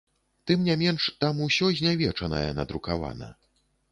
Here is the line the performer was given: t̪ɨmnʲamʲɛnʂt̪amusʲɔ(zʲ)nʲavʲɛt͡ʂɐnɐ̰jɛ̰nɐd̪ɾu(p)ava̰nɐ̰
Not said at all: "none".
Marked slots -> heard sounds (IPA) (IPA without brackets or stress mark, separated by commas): zʲ, k